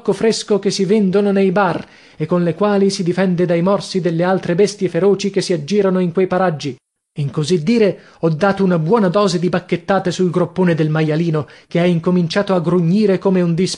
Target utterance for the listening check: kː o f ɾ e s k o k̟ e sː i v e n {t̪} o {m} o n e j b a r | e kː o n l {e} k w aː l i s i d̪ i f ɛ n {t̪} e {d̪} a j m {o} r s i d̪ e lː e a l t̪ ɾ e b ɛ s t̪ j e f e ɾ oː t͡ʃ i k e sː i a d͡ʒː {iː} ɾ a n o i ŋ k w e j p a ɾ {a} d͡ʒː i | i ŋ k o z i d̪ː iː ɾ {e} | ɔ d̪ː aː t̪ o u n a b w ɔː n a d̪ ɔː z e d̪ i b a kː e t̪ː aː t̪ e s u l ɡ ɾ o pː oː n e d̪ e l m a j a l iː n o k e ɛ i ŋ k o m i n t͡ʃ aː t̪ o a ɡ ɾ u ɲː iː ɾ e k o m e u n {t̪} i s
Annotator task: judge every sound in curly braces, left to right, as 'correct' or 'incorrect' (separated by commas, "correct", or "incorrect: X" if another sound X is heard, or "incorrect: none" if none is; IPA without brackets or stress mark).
incorrect: d̪, incorrect: n, correct, incorrect: d̪, correct, incorrect: ɔ, correct, correct, correct, incorrect: d̪